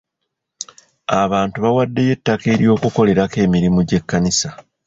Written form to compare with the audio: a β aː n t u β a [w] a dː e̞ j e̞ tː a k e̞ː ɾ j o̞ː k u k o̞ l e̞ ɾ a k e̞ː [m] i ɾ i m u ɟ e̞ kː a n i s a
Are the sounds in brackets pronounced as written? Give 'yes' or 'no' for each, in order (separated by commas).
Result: yes, yes